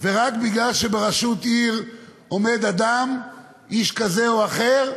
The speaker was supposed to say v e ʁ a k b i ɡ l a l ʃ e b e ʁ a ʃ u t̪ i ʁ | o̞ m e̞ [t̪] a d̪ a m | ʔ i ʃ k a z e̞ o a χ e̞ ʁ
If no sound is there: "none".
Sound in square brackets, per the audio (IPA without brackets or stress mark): d̪